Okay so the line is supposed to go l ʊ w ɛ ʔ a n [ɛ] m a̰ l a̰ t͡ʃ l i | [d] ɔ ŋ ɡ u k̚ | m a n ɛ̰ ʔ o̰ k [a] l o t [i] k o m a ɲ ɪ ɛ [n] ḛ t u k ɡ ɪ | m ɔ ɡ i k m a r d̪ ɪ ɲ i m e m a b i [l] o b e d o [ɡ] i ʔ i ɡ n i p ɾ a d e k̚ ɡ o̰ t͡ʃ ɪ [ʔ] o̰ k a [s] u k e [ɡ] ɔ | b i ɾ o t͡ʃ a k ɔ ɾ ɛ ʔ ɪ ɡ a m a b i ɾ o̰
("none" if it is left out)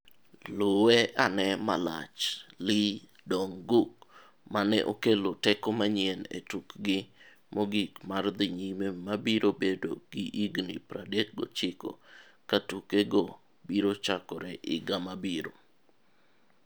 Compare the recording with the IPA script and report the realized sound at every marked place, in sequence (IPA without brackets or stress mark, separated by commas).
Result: ɛ, d, e, ɛ, n, ɾ, ɡ, k, t, ɡ